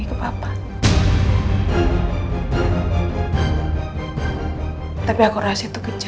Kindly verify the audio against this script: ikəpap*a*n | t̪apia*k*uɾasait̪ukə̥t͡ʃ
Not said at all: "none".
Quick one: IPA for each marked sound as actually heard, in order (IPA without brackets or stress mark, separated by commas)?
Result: a, k